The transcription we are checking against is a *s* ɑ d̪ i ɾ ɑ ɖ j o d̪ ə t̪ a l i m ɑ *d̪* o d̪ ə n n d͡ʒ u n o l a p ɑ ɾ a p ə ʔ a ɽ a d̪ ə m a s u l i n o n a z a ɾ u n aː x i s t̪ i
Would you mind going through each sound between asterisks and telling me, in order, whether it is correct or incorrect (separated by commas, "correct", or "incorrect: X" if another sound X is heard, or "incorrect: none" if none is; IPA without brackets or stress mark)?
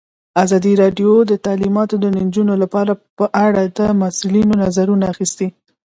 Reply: incorrect: z, incorrect: t̪